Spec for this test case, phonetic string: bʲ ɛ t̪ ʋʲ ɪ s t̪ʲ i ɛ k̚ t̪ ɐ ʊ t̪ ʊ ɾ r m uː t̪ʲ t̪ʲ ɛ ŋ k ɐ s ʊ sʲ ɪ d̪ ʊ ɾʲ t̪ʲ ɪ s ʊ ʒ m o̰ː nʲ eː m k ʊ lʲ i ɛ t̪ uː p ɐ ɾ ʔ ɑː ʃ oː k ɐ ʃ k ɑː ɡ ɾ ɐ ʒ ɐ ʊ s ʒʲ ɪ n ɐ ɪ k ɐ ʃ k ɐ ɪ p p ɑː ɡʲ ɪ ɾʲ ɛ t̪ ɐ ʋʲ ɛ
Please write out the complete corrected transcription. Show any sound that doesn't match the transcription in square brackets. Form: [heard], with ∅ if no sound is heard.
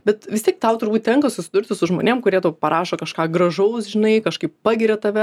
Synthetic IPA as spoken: bʲ ɛ t̪ ʋʲ ɪ s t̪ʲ i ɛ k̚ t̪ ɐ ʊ t̪ ʊ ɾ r [b] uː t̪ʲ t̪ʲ ɛ ŋ k ɐ s ʊ sʲ ɪ d̪ ʊ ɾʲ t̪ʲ ɪ s ʊ ʒ m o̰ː nʲ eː m k ʊ [ɾʲ] i ɛ t̪ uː p ɐ ɾ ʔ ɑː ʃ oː k ɐ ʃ k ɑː ɡ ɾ ɐ ʒ ɐ ʊ s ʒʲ ɪ n ɐ ɪ k ɐ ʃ k ɐ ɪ p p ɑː ɡʲ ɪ ɾʲ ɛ t̪ ɐ ʋʲ ɛ